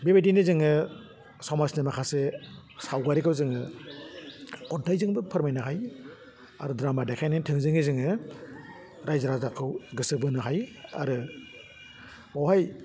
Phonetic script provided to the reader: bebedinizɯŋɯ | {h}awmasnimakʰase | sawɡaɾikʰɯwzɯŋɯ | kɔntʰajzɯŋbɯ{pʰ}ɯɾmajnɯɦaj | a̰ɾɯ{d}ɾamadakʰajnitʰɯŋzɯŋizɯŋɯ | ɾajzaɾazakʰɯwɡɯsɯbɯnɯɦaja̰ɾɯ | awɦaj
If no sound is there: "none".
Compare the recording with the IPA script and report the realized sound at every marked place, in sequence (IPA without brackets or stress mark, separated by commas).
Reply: s, pʰ, d